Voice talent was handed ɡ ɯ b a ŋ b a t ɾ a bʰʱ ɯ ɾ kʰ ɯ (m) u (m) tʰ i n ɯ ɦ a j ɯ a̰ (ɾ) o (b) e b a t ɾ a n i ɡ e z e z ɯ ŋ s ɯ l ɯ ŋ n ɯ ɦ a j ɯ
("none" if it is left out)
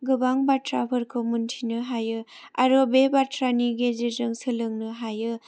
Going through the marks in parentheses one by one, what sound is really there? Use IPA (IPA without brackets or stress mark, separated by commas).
m, n, ɾ, b